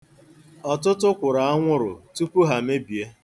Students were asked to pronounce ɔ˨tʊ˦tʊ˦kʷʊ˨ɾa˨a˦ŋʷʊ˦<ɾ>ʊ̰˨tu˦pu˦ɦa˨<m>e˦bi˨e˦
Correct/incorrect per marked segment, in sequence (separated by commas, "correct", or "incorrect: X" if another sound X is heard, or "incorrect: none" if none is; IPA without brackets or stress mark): correct, correct